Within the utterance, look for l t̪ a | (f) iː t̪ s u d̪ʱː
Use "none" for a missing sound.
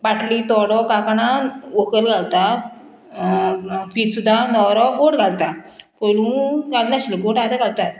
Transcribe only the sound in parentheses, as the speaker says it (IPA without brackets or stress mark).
f